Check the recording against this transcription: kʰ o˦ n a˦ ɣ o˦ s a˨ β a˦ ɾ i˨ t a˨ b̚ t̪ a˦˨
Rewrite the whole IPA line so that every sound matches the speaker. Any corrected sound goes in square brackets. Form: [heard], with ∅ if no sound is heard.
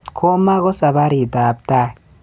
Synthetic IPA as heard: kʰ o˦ [m] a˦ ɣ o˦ s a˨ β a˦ ɾ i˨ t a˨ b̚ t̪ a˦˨